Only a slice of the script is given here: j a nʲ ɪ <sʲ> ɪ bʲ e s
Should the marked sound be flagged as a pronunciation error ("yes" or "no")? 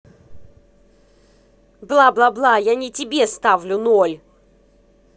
yes